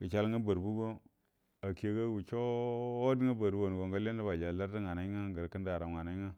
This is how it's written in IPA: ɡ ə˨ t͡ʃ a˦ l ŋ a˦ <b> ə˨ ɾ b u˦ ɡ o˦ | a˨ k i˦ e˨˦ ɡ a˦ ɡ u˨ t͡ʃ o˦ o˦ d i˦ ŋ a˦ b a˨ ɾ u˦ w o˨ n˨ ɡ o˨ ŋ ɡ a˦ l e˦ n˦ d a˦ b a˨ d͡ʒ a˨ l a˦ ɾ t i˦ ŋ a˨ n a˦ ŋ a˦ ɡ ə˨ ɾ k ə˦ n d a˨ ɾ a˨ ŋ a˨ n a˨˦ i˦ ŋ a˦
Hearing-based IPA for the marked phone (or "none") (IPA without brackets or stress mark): b